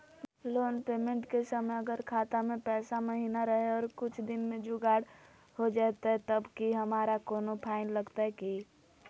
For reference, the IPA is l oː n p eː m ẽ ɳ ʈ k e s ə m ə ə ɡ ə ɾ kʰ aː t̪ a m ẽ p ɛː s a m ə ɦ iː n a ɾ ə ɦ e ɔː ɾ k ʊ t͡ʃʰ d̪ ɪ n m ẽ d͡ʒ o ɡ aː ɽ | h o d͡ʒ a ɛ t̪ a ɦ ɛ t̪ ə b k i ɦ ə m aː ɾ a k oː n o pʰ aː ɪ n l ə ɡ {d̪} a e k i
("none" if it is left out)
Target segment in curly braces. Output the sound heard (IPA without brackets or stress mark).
t̪